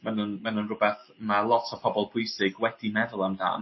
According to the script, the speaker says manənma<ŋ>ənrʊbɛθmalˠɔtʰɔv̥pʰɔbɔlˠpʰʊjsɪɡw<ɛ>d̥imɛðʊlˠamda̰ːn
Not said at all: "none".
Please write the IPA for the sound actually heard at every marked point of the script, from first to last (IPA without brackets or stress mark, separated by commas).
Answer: n, ɛ